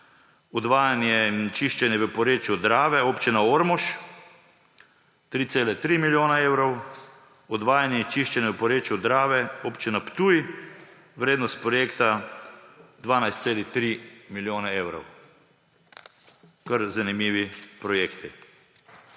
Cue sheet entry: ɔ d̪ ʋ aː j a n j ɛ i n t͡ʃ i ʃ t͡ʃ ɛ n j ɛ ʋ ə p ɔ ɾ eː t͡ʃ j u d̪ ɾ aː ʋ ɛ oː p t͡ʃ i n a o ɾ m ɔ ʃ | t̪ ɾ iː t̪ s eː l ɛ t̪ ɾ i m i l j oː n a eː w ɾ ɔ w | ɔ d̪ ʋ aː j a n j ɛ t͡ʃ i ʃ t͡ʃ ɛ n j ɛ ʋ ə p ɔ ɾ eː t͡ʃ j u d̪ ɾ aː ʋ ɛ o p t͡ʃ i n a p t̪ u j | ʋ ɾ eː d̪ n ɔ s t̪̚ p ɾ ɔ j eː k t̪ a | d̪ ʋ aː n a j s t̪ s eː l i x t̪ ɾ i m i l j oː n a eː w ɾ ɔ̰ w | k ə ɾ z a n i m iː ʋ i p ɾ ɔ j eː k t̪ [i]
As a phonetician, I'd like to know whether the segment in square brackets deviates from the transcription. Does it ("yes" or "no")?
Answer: no